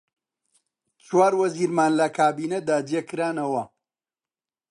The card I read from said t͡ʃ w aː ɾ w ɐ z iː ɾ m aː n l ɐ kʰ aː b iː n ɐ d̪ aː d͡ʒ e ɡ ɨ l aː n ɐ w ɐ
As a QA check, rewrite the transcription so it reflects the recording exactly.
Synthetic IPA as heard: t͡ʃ w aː ɾ w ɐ z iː ɾ m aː n l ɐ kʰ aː b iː n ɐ d̪ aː d͡ʒ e k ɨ ɾ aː n ɐ w ɐ

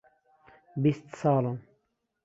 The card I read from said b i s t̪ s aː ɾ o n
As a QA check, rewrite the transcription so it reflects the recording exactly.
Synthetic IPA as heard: b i s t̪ s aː l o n

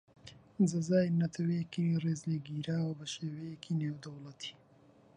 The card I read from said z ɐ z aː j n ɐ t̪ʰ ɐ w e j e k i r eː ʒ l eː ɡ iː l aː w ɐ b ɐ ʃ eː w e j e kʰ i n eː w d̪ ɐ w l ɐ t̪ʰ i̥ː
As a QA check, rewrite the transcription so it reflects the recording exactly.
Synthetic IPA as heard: z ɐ z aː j n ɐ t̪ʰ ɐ w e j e k i r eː z l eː ɡ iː ɾ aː w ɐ b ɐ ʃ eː w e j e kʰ i n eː w d̪ ɐ w l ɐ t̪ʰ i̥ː

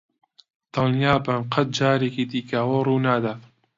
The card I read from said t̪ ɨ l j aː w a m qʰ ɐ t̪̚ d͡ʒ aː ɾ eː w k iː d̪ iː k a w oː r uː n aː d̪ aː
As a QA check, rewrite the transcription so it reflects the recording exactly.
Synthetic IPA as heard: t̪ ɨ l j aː b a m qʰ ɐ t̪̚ d͡ʒ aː ɾ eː k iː d̪ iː k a w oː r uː n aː d̪ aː

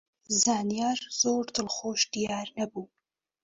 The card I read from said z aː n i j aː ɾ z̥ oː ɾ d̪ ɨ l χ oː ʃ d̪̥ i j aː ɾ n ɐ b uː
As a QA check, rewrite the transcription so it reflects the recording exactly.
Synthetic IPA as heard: z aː n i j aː ɾ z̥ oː ɾ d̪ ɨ l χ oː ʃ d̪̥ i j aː ɾ n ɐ b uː

